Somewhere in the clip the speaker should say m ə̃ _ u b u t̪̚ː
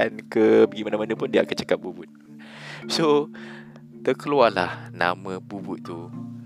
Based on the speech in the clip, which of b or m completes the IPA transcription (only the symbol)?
b